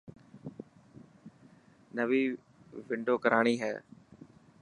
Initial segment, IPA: n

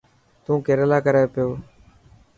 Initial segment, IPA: t̪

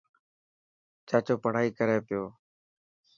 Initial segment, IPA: t͡ʃ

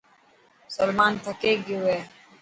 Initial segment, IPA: s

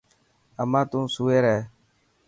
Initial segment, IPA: ə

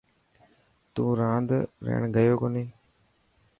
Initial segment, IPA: t̪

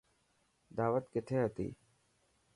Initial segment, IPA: d̪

